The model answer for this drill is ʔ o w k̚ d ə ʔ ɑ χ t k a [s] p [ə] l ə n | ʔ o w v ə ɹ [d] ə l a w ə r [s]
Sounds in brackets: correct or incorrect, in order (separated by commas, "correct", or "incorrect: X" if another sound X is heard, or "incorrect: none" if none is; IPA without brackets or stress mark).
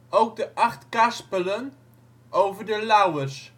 correct, correct, correct, correct